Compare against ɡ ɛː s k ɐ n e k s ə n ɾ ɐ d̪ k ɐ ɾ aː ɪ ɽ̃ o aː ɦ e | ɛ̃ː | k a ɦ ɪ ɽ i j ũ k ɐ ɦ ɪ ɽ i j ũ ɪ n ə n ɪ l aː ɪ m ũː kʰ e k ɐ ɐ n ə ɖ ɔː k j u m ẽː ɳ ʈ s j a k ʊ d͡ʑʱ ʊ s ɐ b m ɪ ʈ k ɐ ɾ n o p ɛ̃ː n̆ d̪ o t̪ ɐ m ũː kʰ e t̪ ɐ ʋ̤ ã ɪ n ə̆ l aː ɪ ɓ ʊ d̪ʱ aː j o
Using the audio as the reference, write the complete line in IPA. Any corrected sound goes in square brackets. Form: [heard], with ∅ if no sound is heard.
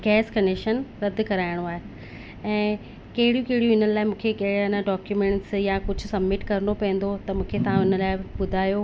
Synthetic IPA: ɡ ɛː s k ɐ n e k [ʃ] ə n ɾ ɐ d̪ k ɐ ɾ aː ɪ ɽ̃ o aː ɦ e | ɛ̃ː | k [ɐ] ɦ ɪ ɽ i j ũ k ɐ ɦ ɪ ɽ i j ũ ɪ n ə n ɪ l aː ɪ m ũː kʰ e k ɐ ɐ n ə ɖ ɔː k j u m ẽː ɳ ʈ s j a k ʊ d͡ʑʱ ʊ s ɐ b m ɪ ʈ k ɐ ɾ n o p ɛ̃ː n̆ d̪ o t̪ ɐ m ũː kʰ e t̪ ɐ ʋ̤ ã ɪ n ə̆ l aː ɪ ɓ ʊ d̪ʱ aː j o

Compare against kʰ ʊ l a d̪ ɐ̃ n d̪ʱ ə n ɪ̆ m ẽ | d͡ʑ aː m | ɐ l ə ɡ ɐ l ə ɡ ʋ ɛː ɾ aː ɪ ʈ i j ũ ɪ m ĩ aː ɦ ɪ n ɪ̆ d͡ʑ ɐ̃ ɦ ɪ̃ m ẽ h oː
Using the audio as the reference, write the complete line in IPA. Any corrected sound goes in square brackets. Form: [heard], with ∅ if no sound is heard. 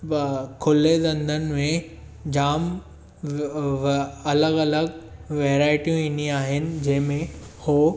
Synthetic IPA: kʰ ʊ l [e] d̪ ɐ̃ n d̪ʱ ə n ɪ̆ m ẽ | d͡ʑ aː m | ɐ l ə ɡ ɐ l ə ɡ ʋ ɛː ɾ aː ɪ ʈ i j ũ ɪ [n] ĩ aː ɦ ɪ n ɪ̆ d͡ʑ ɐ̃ ɦ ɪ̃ m ẽ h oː

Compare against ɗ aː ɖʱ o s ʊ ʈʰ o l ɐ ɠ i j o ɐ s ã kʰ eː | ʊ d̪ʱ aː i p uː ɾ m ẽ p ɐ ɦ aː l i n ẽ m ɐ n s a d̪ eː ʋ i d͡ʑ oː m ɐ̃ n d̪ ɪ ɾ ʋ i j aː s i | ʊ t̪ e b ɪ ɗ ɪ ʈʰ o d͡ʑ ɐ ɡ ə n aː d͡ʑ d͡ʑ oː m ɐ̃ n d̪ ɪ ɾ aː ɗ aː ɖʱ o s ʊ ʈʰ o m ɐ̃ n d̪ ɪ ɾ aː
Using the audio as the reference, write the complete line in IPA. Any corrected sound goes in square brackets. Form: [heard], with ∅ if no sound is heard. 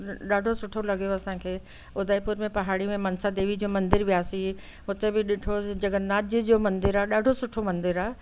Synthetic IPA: ɗ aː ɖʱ o s ʊ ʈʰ o l ɐ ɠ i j o ɐ s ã kʰ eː | ʊ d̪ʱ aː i p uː ɾ m ẽ p ɐ ɦ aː [ɽ] i [m] ẽ m ɐ n s a d̪ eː ʋ i d͡ʑ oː m ɐ̃ n d̪ ɪ ɾ ʋ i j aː s i | ʊ t̪ e b ɪ ɗ ɪ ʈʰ o d͡ʑ ɐ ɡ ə n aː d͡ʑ d͡ʑ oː m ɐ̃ n d̪ ɪ ɾ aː ɗ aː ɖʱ o s ʊ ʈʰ o m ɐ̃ n d̪ ɪ ɾ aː

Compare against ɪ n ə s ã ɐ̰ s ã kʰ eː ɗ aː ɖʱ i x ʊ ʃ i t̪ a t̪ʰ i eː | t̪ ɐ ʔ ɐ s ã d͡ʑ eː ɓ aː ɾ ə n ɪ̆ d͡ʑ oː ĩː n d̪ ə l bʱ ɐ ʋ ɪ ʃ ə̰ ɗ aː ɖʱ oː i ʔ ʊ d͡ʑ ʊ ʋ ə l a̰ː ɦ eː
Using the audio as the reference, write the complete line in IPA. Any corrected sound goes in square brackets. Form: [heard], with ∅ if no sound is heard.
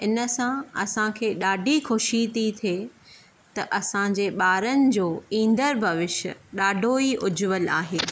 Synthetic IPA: ɪ n ə s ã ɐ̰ s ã kʰ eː ɗ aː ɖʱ i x ʊ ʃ i t̪ [i] t̪ʰ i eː | t̪ ɐ ʔ ɐ s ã d͡ʑ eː ɓ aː ɾ ə n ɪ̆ d͡ʑ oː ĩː n d̪ ə [ɾ] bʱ ɐ ʋ ɪ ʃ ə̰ ɗ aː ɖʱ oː i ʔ ʊ d͡ʑ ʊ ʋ ə l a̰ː ɦ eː

